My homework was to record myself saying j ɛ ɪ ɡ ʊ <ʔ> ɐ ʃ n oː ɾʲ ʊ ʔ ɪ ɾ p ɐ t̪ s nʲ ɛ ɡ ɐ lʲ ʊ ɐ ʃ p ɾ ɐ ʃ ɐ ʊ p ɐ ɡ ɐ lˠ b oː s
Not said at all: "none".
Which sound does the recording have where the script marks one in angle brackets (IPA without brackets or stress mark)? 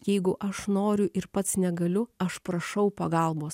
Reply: ʔ